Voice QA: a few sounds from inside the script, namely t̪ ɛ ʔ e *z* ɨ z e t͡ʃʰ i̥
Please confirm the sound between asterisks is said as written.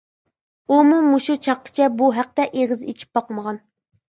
no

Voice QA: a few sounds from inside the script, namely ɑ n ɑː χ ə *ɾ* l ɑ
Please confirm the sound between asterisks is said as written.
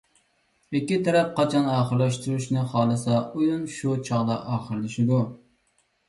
yes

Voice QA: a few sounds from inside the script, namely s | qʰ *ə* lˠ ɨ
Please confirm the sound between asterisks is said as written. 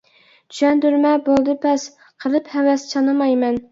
yes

